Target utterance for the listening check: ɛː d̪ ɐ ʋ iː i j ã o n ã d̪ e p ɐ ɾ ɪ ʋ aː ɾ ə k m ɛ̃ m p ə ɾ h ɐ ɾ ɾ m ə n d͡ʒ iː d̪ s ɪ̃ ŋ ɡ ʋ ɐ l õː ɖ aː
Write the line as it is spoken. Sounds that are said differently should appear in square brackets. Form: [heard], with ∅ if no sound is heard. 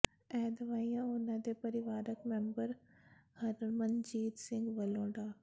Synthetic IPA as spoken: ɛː d̪ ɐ ʋ [aː] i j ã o n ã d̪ e p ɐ ɾ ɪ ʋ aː ɾ ə k m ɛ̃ m [b] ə ɾ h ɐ ɾ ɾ m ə n d͡ʒ iː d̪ s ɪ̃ ŋ ɡ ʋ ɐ l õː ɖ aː

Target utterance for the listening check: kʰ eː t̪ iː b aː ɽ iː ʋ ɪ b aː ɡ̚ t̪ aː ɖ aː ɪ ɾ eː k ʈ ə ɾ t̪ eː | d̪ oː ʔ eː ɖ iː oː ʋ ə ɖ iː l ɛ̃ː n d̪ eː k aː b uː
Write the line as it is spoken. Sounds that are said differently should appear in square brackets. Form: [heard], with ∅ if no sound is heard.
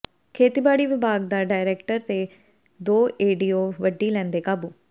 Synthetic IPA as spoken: kʰ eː t̪ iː b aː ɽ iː ʋ ɪ b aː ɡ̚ [d̪] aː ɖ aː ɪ ɾ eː k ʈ ə ɾ t̪ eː | d̪ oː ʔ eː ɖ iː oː ʋ ə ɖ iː l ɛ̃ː n d̪ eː k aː b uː

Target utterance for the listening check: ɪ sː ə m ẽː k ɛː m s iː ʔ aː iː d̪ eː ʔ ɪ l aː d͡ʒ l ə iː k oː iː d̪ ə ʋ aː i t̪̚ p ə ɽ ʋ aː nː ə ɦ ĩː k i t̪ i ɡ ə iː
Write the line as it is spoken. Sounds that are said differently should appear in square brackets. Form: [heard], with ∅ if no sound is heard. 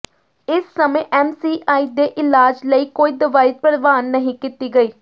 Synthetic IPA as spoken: ɪ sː ə m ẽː [ʔ] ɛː m s iː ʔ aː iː d̪ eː ʔ ɪ l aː d͡ʒ l ə iː k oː iː d̪ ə ʋ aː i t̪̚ p ə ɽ ʋ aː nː ə ɦ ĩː k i t̪ [iː] ɡ ə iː

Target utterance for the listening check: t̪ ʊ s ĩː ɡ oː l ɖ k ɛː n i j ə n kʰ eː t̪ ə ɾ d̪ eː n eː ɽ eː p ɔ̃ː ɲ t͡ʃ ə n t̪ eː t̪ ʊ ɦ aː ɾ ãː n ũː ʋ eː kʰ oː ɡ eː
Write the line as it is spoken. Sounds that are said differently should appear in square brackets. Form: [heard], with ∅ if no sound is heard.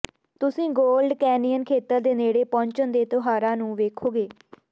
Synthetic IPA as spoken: t̪ ʊ s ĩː ɡ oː l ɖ k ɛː n i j ə n kʰ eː t̪ ə ɾ d̪ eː n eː ɽ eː p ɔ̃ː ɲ t͡ʃ ə n [d̪] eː t̪ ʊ ɦ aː ɾ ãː n ũː ʋ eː kʰ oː ɡ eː

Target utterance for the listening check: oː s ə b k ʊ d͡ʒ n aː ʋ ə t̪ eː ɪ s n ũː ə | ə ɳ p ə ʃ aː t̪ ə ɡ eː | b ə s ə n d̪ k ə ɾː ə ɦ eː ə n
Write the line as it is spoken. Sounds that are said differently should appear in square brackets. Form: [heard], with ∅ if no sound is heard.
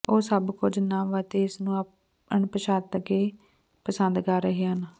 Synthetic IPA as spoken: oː s ə b k ʊ d͡ʒ n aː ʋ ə t̪ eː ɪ s n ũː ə | ə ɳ p ə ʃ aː t̪ ə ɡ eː | [p] ə s ə n d̪ k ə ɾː ə ɦ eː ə n

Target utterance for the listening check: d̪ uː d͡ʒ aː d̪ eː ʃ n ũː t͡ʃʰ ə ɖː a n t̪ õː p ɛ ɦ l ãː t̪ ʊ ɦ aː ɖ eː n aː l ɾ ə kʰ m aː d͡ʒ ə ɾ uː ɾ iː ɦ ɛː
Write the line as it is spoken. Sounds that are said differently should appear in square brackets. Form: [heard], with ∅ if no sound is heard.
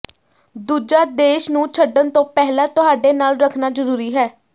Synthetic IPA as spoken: d̪ uː d͡ʒ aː d̪ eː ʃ n ũː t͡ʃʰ ə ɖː [ə] n t̪ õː p ɛ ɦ l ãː t̪ ʊ ɦ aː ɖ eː n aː l ɾ ə kʰ [n] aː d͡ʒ ə ɾ uː ɾ iː ɦ ɛː

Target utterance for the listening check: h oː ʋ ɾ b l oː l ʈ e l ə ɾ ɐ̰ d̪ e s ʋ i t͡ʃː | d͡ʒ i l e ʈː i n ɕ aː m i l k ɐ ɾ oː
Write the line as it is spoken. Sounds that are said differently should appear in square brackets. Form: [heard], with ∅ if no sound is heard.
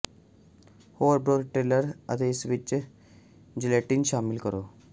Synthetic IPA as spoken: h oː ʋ ɾ b [ɾ] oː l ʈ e l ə ɾ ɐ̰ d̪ e s ʋ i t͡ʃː | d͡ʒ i l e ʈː i n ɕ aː m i l k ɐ ɾ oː

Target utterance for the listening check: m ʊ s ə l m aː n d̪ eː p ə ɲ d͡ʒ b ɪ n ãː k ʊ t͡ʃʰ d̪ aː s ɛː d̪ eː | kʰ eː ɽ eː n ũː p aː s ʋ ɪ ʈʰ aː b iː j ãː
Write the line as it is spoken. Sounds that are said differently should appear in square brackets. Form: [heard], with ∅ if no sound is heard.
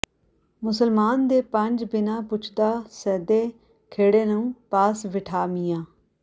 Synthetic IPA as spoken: m ʊ s ə l m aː n d̪ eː p ə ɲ d͡ʒ b ɪ n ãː [p] ʊ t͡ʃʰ d̪ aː s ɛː d̪ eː | kʰ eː ɽ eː n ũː p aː s ʋ ɪ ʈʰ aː [m] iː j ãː

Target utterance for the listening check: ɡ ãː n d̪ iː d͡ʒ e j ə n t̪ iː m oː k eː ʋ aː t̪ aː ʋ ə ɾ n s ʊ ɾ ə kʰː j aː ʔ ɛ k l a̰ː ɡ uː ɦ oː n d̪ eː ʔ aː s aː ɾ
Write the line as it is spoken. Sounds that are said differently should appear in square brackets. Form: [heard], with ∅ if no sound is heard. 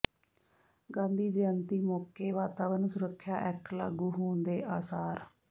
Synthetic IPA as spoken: ɡ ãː n d̪ iː d͡ʒ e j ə n t̪ iː m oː k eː ʋ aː t̪ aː ʋ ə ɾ n s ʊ ɾ ə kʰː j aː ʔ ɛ k l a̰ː ɡ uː ɦ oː n d̪ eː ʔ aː s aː ɾ

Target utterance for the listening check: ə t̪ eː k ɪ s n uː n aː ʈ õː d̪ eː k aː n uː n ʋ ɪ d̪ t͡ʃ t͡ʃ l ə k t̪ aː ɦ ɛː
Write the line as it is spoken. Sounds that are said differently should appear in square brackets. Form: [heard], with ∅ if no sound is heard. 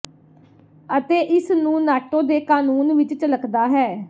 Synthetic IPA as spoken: ə t̪ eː [ʔ] ɪ s n [ũː] n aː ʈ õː d̪ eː k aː n uː n ʋ ɪ [∅] t͡ʃ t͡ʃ l ə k [d̪] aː ɦ ɛː

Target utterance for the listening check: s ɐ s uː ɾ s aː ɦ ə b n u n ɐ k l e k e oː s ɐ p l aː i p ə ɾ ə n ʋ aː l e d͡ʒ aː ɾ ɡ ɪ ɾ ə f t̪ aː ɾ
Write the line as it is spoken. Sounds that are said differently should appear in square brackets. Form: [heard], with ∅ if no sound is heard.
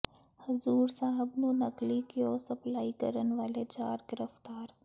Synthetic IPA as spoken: [h] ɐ [z] uː ɾ s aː ɦ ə b n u n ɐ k l [i] k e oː s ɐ p l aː i [k] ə ɾ ə n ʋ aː l e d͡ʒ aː ɾ ɡ ɪ ɾ ə f t̪ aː ɾ

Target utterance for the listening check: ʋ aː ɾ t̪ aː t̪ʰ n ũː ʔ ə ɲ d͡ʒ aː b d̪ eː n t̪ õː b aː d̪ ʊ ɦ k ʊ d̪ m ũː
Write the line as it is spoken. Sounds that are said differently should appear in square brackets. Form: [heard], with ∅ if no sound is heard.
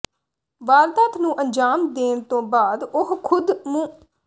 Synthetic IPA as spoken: ʋ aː ɾ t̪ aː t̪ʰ n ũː ʔ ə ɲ d͡ʒ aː [m] d̪ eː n t̪ õː b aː d̪ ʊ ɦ [kʰ] ʊ d̪ m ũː

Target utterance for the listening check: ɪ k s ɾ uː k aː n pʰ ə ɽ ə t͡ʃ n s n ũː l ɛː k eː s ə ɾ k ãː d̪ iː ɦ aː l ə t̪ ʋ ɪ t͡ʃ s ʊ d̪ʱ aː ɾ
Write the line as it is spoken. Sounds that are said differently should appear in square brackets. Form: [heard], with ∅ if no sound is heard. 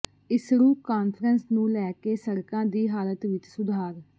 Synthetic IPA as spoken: ɪ [∅] s ɾ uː k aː n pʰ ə [ɾ] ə [∅] n s n ũː l ɛː k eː s ə ɾ k ãː d̪ iː ɦ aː l ə t̪ ʋ ɪ t͡ʃ s ʊ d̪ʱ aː ɾ

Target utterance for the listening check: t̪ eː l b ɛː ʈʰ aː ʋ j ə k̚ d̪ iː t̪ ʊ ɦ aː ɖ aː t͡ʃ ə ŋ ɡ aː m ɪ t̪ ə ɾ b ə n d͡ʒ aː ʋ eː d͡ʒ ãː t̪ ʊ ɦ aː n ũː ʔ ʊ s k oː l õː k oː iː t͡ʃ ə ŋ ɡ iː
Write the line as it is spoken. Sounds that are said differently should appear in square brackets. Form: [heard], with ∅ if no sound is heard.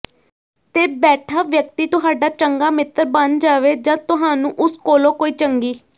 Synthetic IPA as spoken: t̪ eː [∅] b ɛː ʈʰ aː ʋ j ə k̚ [t̪] iː t̪ ʊ ɦ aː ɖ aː t͡ʃ ə ŋ ɡ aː m ɪ t̪ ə ɾ b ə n d͡ʒ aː ʋ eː d͡ʒ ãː t̪ ʊ ɦ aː n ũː ʔ ʊ s k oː l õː k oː iː t͡ʃ ə ŋ ɡ iː

